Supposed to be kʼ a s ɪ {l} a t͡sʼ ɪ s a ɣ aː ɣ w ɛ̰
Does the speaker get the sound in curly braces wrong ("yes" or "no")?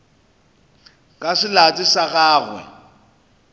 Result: no